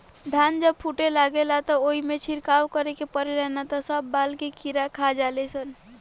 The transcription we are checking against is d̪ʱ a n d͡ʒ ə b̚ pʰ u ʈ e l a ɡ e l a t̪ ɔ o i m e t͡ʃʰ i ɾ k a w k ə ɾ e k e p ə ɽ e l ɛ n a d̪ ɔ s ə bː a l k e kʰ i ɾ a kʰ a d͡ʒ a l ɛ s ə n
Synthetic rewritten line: d̪ʱ a n d͡ʒ ə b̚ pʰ u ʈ e l a ɡ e l a t̪ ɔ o i m e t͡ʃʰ i ɾ k a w k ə ɾ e k e p ə ɾ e l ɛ n a t̪ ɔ s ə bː a l k e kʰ i ɾ a kʰ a d͡ʒ a l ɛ s ə n